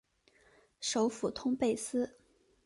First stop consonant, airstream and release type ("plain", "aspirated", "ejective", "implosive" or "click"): aspirated